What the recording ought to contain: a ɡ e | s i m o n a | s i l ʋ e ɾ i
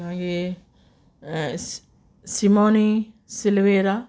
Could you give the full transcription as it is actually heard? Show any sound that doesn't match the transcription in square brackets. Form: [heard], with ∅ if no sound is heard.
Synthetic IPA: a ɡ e | s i m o n [i] | s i l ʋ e ɾ [a]